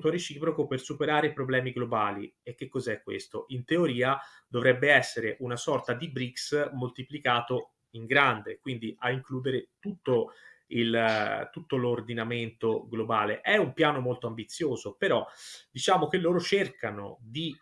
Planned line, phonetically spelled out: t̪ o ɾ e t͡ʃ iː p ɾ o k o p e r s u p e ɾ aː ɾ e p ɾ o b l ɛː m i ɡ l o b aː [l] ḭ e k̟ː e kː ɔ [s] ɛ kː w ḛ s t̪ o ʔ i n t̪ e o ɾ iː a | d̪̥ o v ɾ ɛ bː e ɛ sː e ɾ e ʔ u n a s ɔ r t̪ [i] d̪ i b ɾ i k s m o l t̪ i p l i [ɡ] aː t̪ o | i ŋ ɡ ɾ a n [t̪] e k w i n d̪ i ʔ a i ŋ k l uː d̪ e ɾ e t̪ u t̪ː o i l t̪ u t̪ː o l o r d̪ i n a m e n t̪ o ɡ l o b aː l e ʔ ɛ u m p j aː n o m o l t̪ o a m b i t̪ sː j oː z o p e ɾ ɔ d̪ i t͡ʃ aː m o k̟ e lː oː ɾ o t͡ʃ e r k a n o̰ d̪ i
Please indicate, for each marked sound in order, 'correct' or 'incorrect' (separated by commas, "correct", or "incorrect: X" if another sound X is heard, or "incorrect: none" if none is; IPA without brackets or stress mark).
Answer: correct, incorrect: z, incorrect: a, incorrect: k, incorrect: d̪